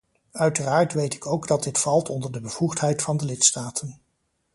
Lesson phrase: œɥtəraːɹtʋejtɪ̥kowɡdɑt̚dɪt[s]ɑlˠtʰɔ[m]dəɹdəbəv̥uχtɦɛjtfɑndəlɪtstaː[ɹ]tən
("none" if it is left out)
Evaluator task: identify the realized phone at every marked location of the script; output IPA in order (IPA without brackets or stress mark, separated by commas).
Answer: f, n, none